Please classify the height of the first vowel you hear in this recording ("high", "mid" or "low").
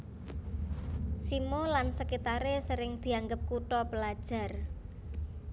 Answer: high